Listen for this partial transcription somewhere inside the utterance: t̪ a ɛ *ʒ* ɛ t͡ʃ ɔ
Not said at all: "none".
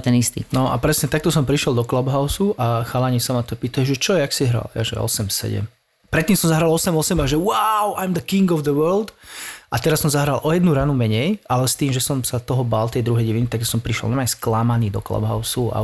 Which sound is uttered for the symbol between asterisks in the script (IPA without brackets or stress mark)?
ʒ